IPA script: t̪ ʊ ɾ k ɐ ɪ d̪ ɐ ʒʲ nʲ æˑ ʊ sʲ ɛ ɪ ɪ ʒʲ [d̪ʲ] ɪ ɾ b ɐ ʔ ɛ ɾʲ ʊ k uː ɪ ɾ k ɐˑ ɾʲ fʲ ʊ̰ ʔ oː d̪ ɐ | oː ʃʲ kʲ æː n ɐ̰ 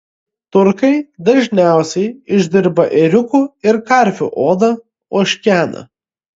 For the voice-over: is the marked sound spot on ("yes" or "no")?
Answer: yes